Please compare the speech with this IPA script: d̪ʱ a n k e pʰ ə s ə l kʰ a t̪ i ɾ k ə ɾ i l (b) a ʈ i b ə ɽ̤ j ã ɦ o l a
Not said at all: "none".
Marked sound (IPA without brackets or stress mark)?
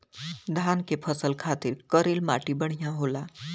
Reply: m